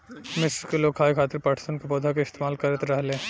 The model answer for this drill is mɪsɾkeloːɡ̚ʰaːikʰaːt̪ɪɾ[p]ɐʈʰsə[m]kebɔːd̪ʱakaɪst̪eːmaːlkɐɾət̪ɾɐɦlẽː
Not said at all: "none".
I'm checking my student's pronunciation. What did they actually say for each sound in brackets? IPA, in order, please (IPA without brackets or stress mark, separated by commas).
p, n